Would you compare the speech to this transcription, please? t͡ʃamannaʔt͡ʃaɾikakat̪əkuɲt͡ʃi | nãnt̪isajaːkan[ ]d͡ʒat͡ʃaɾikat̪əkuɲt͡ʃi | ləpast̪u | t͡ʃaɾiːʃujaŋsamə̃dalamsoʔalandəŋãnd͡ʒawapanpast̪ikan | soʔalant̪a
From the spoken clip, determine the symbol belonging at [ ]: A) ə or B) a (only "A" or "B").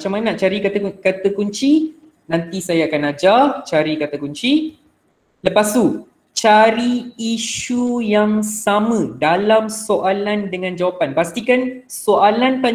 B